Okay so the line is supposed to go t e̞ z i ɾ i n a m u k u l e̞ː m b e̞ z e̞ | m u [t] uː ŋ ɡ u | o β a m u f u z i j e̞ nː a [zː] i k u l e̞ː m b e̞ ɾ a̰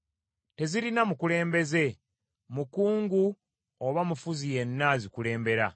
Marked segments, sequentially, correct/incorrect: incorrect: k, incorrect: z

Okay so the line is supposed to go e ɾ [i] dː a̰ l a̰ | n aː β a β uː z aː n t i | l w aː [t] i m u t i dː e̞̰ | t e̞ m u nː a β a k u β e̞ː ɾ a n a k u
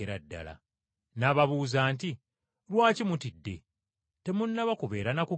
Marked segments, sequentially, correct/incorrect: incorrect: a, incorrect: c

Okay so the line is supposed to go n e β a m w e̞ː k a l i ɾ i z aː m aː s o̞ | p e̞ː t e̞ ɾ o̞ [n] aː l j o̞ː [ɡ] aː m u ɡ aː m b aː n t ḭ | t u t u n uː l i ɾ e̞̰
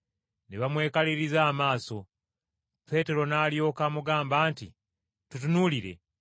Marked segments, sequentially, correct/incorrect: correct, incorrect: k

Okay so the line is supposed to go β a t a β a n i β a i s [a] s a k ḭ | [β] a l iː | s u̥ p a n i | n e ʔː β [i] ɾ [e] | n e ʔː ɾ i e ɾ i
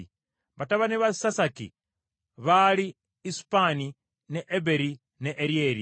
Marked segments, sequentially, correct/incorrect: correct, correct, incorrect: e, incorrect: i

